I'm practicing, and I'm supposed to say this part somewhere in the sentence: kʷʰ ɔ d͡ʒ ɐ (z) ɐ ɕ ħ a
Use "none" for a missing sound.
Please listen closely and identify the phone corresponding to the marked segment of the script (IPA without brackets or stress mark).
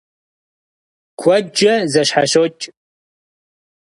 z